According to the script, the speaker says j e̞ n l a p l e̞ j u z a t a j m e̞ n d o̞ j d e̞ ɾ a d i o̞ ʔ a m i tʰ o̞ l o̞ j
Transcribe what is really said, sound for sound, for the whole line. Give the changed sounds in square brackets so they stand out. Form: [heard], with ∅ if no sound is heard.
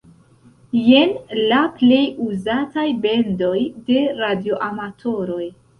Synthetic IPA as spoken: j e̞ n l a p l e̞ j u z a t a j [b] e̞ n d o̞ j d e̞ ɾ a d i o̞ ʔ a m [a] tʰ o̞ [ɾ] o̞ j